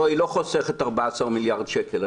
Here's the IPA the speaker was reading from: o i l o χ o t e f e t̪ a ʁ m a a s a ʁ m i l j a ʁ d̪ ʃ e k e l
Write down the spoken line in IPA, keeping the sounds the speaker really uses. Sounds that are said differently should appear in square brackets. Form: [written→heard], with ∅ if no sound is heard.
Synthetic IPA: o i l o χ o [t→s] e [f→χ] e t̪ a ʁ [m→b] a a s a ʁ m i l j a ʁ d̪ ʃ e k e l